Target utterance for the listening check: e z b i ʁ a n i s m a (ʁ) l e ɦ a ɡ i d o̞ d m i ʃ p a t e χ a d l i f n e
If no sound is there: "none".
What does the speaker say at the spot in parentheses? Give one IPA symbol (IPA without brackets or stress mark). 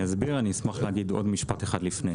χ